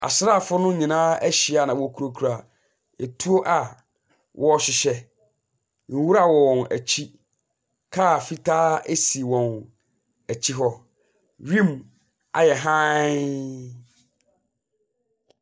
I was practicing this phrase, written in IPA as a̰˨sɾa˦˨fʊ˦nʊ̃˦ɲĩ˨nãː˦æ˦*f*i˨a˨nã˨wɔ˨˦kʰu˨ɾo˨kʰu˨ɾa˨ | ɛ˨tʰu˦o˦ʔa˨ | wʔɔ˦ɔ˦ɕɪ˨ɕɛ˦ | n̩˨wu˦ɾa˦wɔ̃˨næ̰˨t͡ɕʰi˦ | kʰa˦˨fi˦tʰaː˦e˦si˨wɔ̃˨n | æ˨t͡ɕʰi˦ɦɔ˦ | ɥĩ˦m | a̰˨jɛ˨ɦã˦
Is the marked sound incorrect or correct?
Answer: incorrect: ɕ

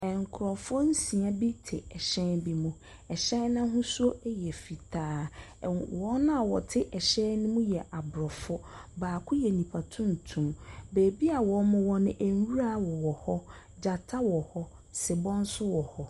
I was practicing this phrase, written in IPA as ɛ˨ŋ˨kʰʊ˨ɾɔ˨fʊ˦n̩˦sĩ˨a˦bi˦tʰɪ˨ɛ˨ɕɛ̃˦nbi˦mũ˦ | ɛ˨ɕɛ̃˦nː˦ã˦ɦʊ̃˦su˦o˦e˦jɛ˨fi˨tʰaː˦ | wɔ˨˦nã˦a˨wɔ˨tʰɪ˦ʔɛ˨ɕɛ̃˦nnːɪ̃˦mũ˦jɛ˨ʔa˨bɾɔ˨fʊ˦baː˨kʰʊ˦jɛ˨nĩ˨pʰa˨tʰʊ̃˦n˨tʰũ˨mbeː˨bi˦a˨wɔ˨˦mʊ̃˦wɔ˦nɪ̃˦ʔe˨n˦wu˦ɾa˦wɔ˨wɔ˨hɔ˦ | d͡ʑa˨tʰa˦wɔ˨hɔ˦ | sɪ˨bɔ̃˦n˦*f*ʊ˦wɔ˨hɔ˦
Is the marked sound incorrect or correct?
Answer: incorrect: s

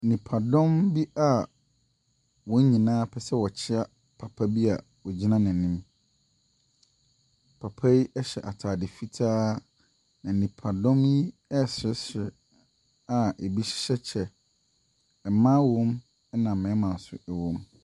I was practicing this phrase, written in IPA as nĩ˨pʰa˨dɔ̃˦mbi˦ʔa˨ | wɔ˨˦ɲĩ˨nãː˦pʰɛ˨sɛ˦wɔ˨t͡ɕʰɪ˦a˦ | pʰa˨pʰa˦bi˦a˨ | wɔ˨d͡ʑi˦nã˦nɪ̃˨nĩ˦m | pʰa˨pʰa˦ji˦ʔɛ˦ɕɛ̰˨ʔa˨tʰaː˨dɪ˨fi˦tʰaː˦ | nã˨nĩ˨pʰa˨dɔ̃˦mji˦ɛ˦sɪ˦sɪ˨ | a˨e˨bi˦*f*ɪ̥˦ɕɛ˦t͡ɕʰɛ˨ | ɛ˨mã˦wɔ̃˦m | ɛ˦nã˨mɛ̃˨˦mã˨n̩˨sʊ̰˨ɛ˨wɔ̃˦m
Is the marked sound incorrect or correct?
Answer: incorrect: ɕ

